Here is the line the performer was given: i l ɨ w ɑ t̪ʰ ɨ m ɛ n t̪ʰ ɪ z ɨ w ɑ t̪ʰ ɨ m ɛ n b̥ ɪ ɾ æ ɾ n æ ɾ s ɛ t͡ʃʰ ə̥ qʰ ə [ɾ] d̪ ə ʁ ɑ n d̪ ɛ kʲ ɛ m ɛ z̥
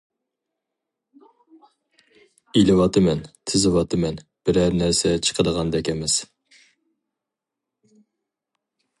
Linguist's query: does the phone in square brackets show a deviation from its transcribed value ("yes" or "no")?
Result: yes